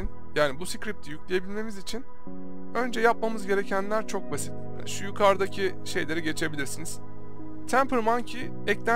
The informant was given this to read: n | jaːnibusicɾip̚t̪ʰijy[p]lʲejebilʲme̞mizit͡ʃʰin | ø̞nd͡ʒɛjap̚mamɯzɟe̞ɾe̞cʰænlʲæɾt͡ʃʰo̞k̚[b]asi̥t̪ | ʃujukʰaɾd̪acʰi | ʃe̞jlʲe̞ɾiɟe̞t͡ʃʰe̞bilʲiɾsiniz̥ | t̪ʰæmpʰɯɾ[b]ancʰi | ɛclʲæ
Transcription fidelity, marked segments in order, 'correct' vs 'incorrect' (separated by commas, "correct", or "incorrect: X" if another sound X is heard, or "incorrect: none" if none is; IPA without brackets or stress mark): incorrect: c, correct, incorrect: m